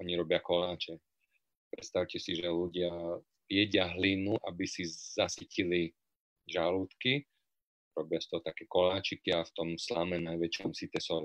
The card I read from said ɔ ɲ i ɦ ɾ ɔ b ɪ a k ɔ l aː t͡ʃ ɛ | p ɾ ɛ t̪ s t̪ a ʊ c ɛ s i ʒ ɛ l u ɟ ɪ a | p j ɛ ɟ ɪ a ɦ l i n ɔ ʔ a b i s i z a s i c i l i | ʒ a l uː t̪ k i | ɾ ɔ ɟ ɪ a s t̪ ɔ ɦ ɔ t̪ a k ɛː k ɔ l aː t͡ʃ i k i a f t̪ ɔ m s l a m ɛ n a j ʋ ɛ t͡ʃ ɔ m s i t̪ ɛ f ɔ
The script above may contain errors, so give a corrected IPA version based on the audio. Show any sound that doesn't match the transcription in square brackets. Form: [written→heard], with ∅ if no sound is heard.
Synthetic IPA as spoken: ɔ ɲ i [ɦ→∅] ɾ ɔ b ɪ a k ɔ l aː t͡ʃ ɛ | p ɾ ɛ t̪ s t̪ a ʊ c ɛ s i ʒ ɛ l u ɟ ɪ a | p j ɛ ɟ ɪ a ɦ l i n [ɔ→u] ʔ a b i s i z a s i c i l i | ʒ a l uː t̪ k i | ɾ ɔ [ɟ→b] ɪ a s t̪ ɔ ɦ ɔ t̪ a k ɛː k ɔ l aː t͡ʃ i k i a f t̪ ɔ m s l a m ɛ n a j ʋ ɛ t͡ʃ ɔ m s i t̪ ɛ [f→s] ɔ